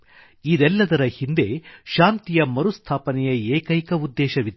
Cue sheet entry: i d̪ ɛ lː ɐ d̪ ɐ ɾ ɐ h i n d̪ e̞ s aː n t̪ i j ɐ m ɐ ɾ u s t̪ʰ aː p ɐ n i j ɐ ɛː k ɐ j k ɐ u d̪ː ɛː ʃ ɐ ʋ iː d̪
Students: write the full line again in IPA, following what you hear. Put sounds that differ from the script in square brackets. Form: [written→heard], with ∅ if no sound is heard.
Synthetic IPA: i d̪ ɛ lː ɐ d̪ ɐ ɾ ɐ h i n d̪ e̞ [s→ʃ] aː n t̪ i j ɐ m ɐ ɾ u s t̪ʰ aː p ɐ n [i→ɛ] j ɐ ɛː k ɐ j k ɐ u d̪ː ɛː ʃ ɐ ʋ [iː→i] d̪

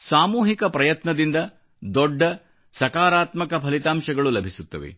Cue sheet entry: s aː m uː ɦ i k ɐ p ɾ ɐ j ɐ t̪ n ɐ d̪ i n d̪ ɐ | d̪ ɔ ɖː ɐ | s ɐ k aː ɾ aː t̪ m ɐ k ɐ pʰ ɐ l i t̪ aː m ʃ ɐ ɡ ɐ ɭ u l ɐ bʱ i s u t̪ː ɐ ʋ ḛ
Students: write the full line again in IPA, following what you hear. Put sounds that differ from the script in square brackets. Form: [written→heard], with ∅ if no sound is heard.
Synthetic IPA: s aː m uː ɦ i k ɐ p ɾ ɐ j ɐ t̪ n ɐ d̪ i n d̪ ɐ | d̪ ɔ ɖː ɐ | s ɐ k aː ɾ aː t̪ m ɐ k ɐ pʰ ɐ l i t̪ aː m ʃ ɐ ɡ ɐ ɭ u l ɐ bʱ i s u t̪ː ɐ ʋ ḛ

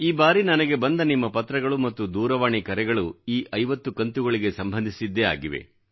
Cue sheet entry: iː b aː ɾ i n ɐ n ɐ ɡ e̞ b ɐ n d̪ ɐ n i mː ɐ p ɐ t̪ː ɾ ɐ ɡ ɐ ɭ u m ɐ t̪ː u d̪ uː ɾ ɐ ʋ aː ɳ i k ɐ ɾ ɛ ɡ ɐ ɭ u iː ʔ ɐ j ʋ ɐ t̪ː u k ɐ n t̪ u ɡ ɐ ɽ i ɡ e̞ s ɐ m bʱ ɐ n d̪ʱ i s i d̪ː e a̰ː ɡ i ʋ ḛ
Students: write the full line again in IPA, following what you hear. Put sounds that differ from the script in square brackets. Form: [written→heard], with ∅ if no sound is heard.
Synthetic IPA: iː b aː ɾ i n ɐ n ɐ ɡ e̞ b ɐ n d̪ ɐ n i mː ɐ p ɐ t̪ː ɾ ɐ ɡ ɐ ɭ u m ɐ t̪ː u d̪ uː ɾ ɐ ʋ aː ɳ i k ɐ ɾ ɛ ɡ ɐ ɭ u iː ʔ ɐ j ʋ ɐ t̪ː u k ɐ n t̪ u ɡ ɐ [ɽ→ɭ] i ɡ e̞ s ɐ m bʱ ɐ n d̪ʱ i s i d̪ː e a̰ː ɡ i ʋ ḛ

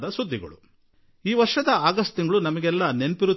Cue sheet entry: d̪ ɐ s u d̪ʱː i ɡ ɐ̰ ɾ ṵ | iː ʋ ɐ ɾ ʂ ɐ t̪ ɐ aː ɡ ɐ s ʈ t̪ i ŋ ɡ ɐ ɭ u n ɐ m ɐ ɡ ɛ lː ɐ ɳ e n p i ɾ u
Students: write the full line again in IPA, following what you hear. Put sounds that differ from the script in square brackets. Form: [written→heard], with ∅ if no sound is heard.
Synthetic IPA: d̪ ɐ s u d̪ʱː i ɡ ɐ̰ [ɾ→ɭ] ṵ | iː ʋ ɐ ɾ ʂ ɐ [t̪→d̪] ɐ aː ɡ ɐ s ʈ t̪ i ŋ ɡ ɐ ɭ u n ɐ m ɐ ɡ ɛ lː ɐ [ɳ→n] e n p i ɾ u

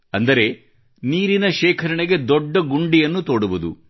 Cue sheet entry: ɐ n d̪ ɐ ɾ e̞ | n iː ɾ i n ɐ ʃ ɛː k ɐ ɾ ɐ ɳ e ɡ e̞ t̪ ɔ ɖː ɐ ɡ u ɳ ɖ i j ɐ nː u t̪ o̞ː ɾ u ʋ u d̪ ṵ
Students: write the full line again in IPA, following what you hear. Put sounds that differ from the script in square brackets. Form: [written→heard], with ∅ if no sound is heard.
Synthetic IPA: ɐ n d̪ ɐ ɾ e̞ | n iː ɾ i n ɐ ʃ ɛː [k→kʰ] ɐ ɾ ɐ ɳ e ɡ e̞ [t̪→d̪] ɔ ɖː ɐ ɡ u ɳ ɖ i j ɐ nː u t̪ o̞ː [ɾ→ɽ] u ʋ u d̪ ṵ

